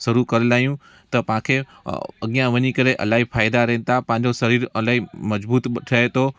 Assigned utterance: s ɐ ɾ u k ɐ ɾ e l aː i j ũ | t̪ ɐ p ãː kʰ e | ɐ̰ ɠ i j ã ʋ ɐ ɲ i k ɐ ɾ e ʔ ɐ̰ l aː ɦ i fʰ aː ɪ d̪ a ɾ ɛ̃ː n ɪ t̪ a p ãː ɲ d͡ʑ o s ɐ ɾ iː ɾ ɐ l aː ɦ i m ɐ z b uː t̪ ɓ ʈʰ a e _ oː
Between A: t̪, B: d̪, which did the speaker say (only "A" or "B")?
A